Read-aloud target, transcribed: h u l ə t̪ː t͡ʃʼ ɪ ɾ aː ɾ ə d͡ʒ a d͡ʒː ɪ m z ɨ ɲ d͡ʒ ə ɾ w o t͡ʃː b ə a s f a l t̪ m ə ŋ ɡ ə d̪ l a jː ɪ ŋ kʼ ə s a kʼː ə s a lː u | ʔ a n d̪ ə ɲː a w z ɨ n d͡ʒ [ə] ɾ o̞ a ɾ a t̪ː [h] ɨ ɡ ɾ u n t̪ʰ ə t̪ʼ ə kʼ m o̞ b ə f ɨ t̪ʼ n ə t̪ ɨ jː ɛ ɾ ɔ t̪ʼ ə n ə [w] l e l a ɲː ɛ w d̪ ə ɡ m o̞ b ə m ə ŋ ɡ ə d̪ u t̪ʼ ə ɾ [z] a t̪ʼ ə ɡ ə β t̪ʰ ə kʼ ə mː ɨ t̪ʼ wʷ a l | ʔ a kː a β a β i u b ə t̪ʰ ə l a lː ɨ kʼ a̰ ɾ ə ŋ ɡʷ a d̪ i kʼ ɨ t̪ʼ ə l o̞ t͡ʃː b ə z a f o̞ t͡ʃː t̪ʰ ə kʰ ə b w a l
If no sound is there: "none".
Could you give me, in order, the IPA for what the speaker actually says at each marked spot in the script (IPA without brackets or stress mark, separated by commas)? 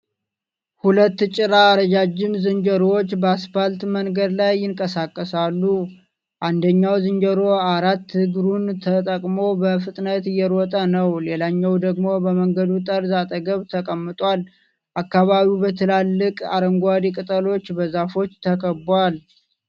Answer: ə, h, w, z